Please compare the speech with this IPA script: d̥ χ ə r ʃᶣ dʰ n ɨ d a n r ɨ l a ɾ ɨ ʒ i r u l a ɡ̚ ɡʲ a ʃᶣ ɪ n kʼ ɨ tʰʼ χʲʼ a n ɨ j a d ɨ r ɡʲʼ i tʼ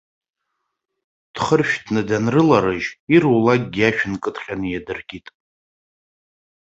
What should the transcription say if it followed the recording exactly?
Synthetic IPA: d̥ χ ə r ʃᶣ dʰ n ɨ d a n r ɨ l a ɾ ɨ ʒ i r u l a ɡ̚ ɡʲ a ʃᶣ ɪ n kʼ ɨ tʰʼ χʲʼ a n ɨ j a d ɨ r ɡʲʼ i tʼ